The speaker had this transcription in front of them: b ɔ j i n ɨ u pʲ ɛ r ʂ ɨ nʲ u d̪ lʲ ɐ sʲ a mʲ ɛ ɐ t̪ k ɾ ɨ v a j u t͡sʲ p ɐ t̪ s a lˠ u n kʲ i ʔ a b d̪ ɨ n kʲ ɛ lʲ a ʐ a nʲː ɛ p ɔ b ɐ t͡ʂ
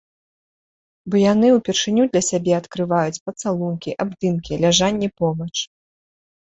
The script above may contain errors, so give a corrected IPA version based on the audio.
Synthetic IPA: b ɔ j a n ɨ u pʲ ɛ r ʂ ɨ nʲ u d̪ lʲ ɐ sʲ a bʲ ɛ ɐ t̪ k ɾ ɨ v a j u t͡sʲ p ɐ t̪ s a lˠ u n kʲ i ʔ a b d̪ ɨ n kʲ i lʲ a ʐ a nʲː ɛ p ɔ b ɐ t͡ʂ